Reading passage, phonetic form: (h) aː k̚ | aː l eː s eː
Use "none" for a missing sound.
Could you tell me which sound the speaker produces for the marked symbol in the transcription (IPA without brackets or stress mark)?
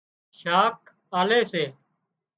ʃ